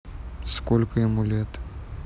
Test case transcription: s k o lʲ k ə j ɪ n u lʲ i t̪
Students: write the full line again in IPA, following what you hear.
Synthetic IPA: s k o lʲ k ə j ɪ m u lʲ e t̪